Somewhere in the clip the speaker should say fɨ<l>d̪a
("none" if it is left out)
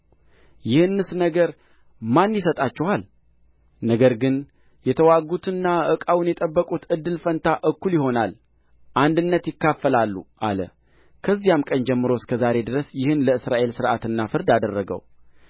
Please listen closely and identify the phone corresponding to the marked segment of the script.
ɾ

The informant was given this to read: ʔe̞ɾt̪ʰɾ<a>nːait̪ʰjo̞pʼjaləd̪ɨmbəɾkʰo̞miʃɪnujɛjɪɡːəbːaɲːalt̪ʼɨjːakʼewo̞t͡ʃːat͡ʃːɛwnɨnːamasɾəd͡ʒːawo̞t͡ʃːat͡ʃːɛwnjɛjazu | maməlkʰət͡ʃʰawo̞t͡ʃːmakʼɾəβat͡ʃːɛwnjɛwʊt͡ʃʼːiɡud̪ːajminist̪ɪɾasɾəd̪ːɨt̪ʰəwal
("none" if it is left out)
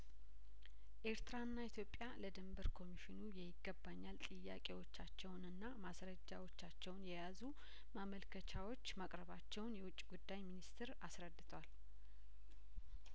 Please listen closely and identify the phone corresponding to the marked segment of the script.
a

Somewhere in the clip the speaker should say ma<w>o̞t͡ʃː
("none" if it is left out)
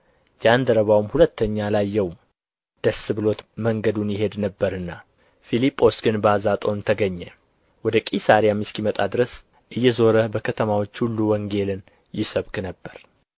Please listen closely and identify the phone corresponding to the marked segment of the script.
w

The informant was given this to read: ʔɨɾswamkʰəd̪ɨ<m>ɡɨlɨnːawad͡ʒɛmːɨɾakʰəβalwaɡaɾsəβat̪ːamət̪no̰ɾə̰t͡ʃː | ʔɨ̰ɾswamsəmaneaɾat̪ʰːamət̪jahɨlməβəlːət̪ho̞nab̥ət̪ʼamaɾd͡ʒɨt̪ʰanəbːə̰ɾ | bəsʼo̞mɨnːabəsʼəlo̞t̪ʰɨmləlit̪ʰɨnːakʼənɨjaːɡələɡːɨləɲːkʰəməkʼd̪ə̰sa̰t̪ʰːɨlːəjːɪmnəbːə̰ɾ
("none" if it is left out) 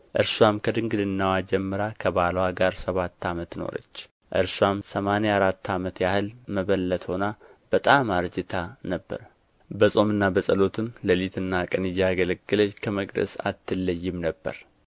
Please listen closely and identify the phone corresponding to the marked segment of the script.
ŋ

